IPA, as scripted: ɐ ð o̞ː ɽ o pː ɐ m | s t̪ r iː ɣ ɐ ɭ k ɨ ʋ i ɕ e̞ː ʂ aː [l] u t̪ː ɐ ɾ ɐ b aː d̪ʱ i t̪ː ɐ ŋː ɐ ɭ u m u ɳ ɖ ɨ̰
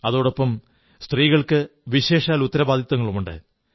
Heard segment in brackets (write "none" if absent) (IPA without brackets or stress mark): l